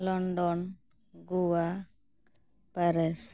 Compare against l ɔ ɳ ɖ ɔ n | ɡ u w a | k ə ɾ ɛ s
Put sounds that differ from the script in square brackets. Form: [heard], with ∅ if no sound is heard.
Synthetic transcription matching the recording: l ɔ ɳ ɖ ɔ n | ɡ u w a | [p] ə ɾ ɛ s